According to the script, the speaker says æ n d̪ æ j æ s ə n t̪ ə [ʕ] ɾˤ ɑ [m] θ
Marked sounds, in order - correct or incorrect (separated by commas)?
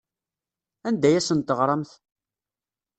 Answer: incorrect, correct